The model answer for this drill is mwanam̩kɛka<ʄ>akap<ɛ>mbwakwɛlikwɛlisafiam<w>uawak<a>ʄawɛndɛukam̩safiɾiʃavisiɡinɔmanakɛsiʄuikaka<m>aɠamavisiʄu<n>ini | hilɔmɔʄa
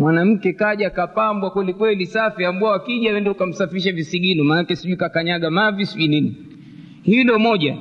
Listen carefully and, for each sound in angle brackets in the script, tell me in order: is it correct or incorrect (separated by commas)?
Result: correct, incorrect, incorrect, incorrect, incorrect, correct